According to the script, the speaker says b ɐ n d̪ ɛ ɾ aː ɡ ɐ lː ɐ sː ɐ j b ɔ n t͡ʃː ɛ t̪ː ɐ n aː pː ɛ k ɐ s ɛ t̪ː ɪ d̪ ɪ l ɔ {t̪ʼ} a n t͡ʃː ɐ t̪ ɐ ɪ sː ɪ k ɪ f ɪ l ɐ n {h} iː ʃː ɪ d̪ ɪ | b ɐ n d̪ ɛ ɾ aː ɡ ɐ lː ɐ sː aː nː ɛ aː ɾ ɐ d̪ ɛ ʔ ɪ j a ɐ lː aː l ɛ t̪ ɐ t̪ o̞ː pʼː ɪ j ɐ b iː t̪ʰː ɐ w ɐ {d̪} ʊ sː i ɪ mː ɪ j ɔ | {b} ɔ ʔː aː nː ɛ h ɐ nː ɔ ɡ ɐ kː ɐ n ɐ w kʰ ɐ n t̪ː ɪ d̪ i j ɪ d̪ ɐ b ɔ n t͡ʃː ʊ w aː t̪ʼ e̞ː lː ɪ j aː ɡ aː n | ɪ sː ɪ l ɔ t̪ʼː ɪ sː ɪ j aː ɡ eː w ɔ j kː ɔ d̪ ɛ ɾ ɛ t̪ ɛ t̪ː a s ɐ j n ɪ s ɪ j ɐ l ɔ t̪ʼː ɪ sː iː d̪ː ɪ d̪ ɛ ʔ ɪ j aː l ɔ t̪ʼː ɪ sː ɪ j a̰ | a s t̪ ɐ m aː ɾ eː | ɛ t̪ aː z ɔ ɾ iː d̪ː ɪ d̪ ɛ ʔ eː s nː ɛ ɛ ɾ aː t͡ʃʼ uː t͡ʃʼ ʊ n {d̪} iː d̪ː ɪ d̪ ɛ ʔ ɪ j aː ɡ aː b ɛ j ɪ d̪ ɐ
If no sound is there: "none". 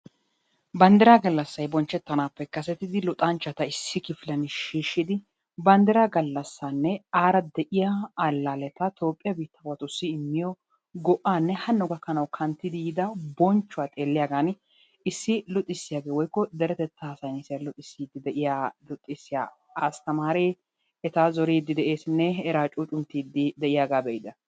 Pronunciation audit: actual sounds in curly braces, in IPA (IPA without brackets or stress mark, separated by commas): t̪ʼ, ʃ, t̪, ɡ, t̪